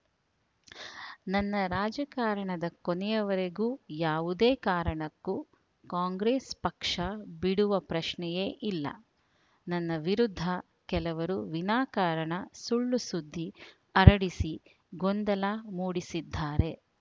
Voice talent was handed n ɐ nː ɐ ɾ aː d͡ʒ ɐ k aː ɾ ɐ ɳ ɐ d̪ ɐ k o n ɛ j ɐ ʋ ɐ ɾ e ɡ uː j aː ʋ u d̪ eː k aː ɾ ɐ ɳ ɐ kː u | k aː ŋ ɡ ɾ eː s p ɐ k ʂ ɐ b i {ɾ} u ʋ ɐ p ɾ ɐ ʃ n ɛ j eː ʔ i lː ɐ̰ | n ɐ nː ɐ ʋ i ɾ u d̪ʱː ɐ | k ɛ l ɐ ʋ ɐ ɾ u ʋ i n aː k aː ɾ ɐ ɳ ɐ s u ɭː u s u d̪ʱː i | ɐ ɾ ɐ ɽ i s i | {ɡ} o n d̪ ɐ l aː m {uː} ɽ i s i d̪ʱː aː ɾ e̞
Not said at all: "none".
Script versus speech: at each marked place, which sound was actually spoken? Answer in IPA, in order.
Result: ɽ, ɡ, uː

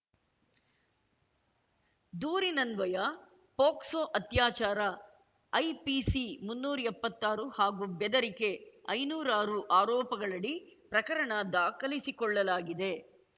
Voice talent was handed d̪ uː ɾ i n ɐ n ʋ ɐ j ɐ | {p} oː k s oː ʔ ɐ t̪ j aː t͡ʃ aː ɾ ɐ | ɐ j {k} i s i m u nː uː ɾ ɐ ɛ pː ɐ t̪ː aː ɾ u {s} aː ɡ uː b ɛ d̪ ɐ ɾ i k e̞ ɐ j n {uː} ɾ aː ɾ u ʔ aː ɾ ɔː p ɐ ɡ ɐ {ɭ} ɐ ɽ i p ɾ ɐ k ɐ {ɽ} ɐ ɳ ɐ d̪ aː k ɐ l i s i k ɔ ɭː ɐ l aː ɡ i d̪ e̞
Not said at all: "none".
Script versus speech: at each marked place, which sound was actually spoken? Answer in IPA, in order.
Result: p, p, h, uː, ɭ, ɾ

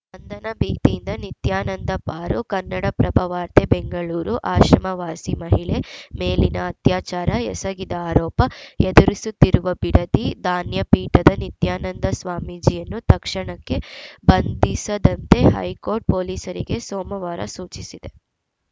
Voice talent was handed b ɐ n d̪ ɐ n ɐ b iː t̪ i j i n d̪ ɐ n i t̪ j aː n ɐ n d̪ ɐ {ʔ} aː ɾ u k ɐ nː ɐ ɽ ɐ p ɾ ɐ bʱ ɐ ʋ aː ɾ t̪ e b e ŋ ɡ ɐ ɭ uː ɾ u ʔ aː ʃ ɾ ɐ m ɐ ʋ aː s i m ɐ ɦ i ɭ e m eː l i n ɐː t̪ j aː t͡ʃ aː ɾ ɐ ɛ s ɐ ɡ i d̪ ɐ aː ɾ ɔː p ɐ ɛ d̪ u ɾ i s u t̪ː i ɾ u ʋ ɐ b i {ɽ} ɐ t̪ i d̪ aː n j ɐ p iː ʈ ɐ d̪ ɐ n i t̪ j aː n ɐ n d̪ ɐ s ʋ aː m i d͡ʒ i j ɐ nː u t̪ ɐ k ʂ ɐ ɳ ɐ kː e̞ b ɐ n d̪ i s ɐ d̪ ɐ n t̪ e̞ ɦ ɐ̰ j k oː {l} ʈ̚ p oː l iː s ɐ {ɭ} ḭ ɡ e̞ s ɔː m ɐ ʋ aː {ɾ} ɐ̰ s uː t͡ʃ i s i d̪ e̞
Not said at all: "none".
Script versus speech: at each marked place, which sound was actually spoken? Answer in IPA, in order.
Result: p, ɽ, ɾ, ɾ, ɾ

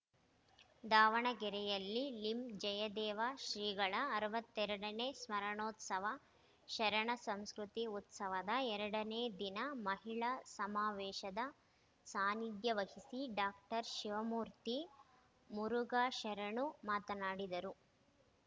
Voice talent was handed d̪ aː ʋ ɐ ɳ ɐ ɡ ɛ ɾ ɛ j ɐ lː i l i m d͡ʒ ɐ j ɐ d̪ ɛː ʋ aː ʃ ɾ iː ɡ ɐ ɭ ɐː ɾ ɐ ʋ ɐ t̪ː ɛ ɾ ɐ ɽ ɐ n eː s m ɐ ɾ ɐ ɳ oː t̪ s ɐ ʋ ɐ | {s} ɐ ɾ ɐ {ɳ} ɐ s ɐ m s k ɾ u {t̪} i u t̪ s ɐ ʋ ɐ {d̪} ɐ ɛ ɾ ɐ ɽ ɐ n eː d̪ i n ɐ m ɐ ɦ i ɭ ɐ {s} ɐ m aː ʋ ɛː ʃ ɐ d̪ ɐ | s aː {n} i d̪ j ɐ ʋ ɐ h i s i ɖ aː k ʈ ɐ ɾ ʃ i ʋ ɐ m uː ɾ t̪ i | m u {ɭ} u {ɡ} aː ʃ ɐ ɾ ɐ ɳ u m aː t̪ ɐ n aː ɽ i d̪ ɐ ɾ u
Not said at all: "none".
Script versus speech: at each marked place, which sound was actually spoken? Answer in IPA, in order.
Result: ʃ, ɳ, t̪, d̪, s, n, ɾ, ɡ

